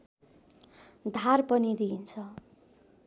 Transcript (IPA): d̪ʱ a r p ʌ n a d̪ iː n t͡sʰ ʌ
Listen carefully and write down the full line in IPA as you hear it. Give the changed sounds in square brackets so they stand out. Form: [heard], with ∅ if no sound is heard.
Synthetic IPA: d̪ʱ a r p ʌ n [i] d̪ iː n t͡sʰ ʌ